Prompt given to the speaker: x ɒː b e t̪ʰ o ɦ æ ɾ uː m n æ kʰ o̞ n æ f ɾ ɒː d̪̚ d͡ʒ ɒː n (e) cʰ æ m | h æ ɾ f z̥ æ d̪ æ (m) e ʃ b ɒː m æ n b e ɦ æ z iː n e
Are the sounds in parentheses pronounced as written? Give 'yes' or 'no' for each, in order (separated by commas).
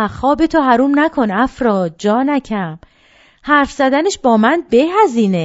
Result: no, no